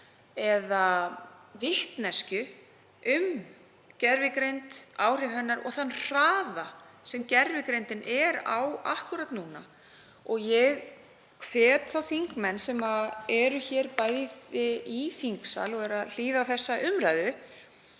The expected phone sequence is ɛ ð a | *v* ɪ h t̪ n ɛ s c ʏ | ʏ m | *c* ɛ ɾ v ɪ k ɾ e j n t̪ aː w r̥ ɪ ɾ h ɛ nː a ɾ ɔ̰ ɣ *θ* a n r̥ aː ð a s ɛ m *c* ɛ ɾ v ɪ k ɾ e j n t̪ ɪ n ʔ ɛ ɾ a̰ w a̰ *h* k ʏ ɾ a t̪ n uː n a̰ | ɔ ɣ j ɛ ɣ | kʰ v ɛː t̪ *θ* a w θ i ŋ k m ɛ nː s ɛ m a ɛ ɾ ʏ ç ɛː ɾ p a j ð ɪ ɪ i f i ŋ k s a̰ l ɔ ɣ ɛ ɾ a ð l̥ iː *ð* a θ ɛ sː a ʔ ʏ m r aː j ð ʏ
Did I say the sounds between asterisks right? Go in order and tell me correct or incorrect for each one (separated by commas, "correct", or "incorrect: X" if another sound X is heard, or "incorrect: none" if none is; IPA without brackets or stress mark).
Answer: correct, correct, correct, correct, correct, correct, correct